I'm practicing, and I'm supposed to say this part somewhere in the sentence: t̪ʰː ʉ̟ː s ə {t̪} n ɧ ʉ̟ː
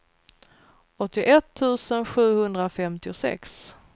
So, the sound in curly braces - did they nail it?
no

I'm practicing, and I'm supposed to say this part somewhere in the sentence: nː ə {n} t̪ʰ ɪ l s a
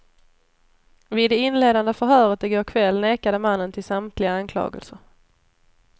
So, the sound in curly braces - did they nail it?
yes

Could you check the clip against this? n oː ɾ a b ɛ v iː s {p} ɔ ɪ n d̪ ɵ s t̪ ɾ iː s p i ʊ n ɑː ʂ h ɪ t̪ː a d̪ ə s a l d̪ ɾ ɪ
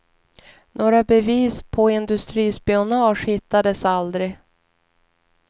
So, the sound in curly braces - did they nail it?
no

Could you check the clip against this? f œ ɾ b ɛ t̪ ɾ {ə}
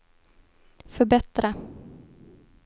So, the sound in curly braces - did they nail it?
no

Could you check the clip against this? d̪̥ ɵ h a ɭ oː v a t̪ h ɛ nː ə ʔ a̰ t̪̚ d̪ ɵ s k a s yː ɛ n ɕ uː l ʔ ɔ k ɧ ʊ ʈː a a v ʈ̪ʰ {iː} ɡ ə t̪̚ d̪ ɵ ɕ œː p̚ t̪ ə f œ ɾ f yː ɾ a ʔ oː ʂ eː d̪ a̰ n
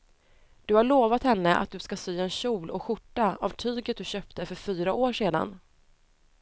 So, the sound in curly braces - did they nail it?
no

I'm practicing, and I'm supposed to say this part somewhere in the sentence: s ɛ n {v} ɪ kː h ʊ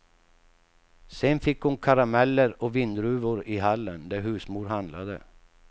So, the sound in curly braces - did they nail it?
no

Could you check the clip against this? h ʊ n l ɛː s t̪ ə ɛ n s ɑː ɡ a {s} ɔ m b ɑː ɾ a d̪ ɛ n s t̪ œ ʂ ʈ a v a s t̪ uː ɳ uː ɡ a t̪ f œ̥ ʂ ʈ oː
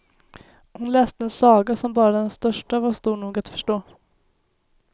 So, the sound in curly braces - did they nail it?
yes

